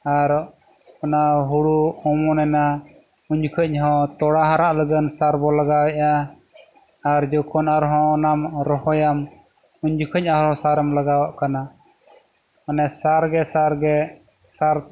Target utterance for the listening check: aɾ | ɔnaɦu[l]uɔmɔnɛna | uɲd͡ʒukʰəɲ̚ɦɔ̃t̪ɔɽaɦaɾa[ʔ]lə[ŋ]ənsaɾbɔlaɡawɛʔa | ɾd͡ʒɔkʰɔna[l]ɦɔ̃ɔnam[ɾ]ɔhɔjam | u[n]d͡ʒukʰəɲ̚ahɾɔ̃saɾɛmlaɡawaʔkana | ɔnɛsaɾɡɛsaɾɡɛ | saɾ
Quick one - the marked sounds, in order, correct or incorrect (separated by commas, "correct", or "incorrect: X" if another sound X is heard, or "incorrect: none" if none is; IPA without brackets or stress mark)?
incorrect: ɽ, correct, incorrect: ɡ, incorrect: ɾ, correct, incorrect: ɲ